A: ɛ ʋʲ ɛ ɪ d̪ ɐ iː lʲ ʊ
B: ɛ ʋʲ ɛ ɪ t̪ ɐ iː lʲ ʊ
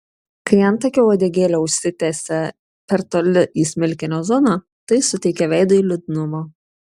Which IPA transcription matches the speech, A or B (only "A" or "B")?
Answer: A